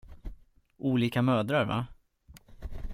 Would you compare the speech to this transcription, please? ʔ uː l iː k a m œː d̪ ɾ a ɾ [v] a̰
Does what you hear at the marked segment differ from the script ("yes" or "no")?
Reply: no